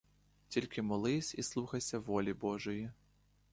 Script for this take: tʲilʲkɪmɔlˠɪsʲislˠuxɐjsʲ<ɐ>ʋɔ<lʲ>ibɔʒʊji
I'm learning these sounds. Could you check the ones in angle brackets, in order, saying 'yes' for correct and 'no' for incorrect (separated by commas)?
yes, yes